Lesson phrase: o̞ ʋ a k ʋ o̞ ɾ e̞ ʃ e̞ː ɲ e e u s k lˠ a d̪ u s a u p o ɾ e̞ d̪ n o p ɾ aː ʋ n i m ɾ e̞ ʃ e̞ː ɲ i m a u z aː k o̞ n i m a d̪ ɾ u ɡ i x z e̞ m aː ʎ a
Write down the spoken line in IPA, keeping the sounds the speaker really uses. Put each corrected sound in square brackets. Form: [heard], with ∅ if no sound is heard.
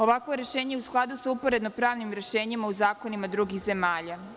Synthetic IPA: o̞ ʋ a k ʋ o̞ ɾ e̞ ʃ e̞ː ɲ e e u s k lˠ a d̪ u s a u p o ɾ e̞ d̪ n o p ɾ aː ʋ n i m ɾ e̞ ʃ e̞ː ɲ i m a u z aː k o̞ n i m a d̪ ɾ u ɡ i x z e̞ m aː ʎ a